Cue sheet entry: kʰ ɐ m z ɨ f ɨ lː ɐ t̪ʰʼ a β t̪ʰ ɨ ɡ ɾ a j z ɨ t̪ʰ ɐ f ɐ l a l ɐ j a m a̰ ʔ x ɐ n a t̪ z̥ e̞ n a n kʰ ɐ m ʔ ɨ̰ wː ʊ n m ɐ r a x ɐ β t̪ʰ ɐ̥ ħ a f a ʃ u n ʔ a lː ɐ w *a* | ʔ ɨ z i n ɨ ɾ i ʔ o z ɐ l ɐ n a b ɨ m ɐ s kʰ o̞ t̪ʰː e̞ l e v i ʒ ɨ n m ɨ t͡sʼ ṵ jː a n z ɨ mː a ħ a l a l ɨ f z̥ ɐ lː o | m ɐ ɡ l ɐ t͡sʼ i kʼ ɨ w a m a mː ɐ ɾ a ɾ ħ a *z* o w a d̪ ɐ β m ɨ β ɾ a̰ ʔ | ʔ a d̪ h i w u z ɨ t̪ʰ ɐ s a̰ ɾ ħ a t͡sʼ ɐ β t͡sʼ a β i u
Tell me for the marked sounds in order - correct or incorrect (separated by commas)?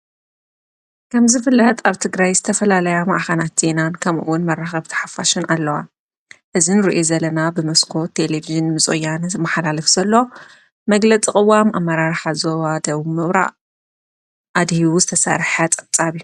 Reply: correct, correct